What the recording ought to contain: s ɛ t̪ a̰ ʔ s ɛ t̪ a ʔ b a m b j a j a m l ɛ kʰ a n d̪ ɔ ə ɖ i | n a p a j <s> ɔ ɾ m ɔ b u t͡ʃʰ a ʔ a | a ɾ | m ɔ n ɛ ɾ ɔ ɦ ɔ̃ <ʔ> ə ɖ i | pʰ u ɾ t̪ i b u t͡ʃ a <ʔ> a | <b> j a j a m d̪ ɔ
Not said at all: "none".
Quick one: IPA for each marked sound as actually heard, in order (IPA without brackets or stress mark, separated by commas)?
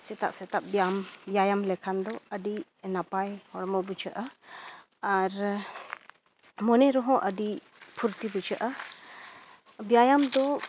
h, ʔ, ʔ, b